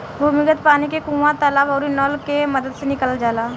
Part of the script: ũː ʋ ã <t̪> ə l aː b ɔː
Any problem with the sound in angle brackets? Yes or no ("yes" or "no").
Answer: no